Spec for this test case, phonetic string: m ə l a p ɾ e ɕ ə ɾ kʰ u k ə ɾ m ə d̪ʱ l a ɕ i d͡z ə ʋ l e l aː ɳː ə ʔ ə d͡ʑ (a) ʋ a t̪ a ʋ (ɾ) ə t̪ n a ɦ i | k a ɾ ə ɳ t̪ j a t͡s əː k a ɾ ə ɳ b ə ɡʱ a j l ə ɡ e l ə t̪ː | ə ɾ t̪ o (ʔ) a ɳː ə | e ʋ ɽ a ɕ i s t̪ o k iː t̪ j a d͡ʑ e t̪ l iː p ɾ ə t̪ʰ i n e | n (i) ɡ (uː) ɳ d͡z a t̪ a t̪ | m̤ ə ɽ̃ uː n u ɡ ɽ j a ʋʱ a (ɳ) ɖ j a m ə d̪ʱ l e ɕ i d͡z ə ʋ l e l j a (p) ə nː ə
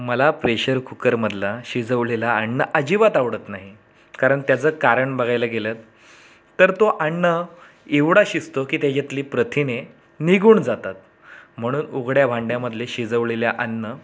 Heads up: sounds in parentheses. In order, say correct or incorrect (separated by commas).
incorrect, incorrect, correct, correct, correct, correct, incorrect